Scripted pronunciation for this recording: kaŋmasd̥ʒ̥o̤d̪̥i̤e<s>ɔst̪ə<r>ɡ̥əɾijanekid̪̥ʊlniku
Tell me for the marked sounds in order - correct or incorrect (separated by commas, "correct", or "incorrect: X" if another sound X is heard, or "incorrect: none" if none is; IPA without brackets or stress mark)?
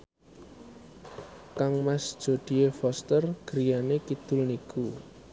incorrect: f, correct